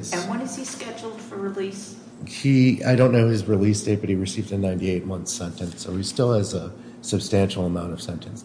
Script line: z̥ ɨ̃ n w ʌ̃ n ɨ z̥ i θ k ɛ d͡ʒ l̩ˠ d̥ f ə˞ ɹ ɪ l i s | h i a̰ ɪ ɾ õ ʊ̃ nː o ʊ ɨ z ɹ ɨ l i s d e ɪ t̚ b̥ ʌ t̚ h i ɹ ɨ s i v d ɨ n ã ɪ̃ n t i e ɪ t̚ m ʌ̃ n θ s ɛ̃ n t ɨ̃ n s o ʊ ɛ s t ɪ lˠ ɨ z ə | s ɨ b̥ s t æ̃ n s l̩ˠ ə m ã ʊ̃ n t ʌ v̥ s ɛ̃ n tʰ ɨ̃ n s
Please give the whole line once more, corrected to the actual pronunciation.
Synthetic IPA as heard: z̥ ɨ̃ n w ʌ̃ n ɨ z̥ i s k ɛ d͡ʒ l̩ˠ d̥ f ə˞ ɹ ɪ l i s | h i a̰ ɪ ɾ õ ʊ̃ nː o ʊ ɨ z ɹ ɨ l i s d e ɪ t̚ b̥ ʌ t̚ h i ɹ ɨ s i v d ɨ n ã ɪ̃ n t i e ɪ t̚ m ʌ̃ n θ s ɛ̃ n t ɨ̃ n s o ʊ i s t ɪ lˠ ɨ z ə | s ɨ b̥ s t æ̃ n ʃ l̩ˠ ə m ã ʊ̃ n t ʌ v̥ s ɛ̃ n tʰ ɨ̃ n s